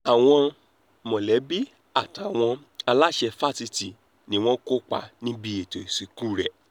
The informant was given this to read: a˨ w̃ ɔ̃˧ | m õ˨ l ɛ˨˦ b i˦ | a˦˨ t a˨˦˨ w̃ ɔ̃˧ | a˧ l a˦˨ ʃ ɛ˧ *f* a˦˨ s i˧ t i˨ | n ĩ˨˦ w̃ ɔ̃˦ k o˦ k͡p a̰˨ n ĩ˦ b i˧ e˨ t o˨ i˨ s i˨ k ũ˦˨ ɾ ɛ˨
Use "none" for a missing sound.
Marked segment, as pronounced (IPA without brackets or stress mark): f